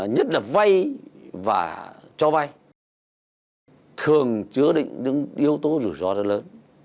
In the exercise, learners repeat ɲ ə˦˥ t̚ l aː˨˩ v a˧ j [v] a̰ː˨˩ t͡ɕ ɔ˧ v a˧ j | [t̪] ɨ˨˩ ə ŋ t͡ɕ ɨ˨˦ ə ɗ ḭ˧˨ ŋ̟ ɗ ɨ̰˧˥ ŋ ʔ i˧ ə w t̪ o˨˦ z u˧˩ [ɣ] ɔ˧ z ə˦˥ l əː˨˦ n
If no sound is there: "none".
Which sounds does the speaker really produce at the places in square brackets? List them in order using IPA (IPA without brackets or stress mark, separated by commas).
v, t̪ʰ, z